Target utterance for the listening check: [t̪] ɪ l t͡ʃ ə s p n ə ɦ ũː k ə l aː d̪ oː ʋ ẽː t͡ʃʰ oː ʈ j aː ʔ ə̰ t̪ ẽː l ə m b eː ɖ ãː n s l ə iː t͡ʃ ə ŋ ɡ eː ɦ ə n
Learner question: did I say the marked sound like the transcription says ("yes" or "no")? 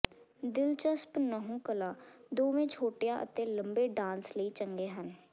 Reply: no